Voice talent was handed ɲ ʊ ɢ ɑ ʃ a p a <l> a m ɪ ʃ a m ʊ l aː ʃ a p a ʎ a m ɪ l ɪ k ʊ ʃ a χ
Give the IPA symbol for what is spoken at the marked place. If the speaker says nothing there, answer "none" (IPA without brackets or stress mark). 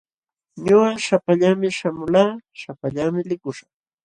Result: ʎ